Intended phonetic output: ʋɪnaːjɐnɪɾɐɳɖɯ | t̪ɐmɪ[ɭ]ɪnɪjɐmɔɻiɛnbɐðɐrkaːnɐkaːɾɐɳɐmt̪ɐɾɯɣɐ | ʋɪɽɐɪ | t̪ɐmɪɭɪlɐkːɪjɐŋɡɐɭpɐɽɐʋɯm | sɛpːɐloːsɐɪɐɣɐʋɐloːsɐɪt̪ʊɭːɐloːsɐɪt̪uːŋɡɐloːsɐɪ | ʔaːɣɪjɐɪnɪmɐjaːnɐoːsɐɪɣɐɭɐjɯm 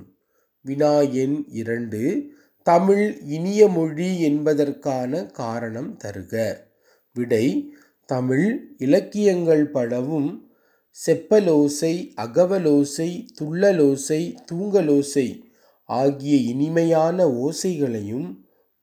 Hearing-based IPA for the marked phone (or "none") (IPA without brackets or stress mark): ɭ